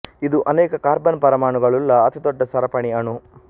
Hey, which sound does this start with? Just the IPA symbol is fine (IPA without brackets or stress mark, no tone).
i